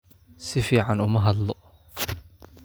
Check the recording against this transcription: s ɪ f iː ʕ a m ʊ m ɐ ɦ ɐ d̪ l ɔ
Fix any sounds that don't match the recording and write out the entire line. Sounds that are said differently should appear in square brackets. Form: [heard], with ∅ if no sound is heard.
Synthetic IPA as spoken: s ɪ f iː ʕ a [n] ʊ m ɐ ɦ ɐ d̪ l ɔ